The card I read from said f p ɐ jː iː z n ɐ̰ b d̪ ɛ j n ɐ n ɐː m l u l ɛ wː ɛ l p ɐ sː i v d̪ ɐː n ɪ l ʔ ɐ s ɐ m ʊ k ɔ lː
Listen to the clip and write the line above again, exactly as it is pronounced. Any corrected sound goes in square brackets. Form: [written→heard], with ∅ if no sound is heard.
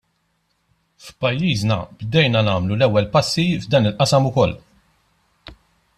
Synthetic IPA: f p ɐ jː iː z n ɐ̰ b d̪ ɛ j n ɐ n ɐː m l u l ɛ wː ɛ l p ɐ sː i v d̪ ɐː n ɪ l ʔ ɐ s ɐ m ʊ k ɔ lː